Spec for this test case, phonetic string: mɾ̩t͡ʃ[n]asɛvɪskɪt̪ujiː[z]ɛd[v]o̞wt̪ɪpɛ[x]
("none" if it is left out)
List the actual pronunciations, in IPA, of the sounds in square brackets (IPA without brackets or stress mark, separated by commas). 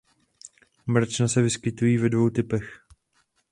n, v, v, x